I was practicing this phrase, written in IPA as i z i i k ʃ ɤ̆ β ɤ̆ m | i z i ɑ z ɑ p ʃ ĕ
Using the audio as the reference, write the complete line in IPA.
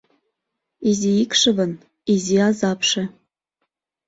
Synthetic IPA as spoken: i z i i k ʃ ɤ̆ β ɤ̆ n | i z i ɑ z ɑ p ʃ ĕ

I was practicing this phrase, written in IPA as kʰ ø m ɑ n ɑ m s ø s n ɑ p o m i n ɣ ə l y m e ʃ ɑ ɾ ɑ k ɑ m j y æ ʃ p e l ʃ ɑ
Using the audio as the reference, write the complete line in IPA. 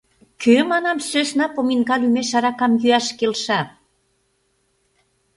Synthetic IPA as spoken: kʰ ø m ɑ n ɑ m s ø s n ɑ p o m i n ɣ ɑ l y m e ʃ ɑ ɾ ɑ k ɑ m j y æ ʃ k e l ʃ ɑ

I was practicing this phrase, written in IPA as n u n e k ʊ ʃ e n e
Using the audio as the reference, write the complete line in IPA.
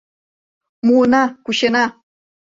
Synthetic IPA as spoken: m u n a k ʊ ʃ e n a

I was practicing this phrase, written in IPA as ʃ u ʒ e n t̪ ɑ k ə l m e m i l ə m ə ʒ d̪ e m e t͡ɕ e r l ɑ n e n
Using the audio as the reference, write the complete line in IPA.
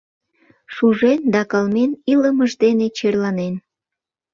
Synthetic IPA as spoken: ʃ u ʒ e n d̪ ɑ k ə l m e n i l ə m ə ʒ d̪ e n e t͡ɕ e r l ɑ n e n

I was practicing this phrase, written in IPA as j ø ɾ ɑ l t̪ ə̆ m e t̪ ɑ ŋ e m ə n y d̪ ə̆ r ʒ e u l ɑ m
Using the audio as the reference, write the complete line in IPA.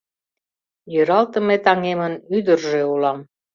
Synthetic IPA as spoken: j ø ɾ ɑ l t̪ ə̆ m e t̪ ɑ ŋ e m ə n y d̪ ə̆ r ʒ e u l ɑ m

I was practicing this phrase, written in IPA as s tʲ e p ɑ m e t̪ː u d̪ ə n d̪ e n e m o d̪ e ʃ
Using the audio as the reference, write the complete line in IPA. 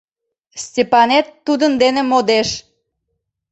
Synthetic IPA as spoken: s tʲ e p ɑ n e t̪ː u d̪ ə n d̪ e n e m o d̪ e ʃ

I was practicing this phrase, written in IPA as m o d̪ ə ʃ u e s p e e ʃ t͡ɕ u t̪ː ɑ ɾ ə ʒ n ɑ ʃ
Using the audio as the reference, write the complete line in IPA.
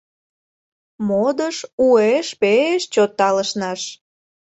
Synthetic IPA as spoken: m o d̪ ə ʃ u e ʃ p e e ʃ t͡ɕ o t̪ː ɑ l ə ʃ n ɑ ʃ

